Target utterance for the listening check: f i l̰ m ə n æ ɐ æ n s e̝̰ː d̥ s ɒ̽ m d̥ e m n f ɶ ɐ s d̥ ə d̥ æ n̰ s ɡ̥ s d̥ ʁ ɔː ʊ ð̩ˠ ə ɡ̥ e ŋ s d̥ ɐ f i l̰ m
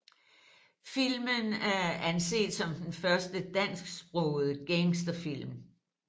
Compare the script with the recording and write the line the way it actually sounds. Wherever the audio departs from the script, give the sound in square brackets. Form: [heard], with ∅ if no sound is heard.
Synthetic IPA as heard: f i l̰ m ə n æ ɐ æ n s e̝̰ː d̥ s ɒ̽ m d̥ e [∅] n f ɶ ɐ s d̥ ə d̥ æ n̰ s ɡ̥ s [b̥] ʁ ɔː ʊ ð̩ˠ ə ɡ̥ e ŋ s d̥ ɐ f i l̰ m